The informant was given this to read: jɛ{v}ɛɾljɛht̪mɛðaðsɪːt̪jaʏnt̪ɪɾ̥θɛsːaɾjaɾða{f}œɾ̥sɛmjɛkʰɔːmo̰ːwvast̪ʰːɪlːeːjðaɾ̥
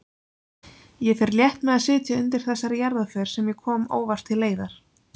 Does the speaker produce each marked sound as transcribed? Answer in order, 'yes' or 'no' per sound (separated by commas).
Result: no, yes